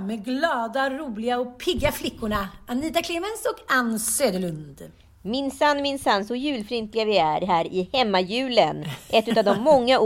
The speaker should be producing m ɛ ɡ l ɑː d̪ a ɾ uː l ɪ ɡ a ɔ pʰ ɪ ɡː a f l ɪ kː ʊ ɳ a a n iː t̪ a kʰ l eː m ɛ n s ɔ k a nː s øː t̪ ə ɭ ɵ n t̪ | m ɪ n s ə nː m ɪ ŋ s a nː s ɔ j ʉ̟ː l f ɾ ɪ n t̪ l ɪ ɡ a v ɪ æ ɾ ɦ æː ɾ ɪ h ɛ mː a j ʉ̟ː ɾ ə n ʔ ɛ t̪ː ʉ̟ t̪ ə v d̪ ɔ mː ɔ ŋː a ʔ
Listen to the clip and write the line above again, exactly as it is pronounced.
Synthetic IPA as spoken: m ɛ ɡ l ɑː d̪ a ɾ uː l ɪ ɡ a ɔ pʰ ɪ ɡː a f l ɪ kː ʊ ɳ a a n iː t̪ a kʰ l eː m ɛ n s ɔ k a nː s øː d̪ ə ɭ ɵ n d̪ | m ɪ n s a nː m ɪ n s a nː s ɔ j ʉ̟ː l f ɾ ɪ n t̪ l ɪ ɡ a v ɪ æ ɾ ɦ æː ɾ ɪ h ɛ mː a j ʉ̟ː l ə n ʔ ɛ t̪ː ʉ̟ t̪ a v d̪ ɔ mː ɔ ŋː a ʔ